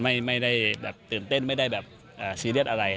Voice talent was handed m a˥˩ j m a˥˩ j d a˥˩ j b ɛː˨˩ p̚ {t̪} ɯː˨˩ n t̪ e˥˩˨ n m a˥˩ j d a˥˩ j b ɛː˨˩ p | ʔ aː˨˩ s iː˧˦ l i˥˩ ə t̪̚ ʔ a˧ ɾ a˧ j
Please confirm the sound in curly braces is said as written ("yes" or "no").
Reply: yes